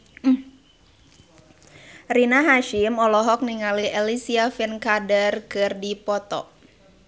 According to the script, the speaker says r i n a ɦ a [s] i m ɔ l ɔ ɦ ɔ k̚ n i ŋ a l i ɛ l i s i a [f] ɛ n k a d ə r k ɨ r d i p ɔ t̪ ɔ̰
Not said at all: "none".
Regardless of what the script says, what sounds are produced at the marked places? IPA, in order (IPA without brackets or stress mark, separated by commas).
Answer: ʃ, f